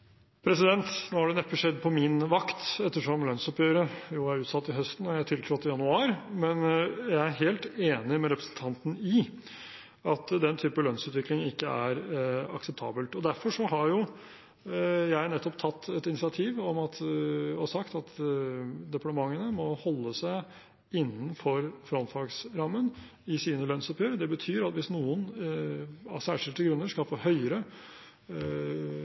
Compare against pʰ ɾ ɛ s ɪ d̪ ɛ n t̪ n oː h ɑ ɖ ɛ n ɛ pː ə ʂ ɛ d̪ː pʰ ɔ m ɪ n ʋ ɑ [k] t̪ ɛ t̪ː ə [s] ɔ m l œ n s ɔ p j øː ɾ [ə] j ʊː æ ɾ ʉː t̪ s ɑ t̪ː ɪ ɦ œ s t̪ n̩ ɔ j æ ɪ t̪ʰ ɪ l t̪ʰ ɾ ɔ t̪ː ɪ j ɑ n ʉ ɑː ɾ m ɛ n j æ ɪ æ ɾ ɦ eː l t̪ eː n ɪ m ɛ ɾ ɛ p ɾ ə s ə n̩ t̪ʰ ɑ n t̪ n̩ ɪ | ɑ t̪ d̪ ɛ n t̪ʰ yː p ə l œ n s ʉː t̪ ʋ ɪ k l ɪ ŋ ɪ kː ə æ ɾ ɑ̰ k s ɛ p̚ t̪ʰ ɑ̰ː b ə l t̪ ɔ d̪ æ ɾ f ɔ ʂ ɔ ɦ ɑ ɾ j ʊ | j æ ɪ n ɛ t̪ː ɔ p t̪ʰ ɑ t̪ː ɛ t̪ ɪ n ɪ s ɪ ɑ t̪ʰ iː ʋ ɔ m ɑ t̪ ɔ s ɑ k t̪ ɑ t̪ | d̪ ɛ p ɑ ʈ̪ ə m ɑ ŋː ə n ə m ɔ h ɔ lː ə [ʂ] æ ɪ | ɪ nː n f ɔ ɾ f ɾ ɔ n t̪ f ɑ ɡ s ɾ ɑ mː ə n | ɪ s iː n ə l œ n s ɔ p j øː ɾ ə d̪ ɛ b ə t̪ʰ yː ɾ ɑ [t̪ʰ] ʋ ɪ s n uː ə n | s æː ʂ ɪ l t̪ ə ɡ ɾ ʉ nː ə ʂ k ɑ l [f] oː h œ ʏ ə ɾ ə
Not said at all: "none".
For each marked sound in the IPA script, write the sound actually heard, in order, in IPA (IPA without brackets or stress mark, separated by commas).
k, ʂ, ə, s, t̪, f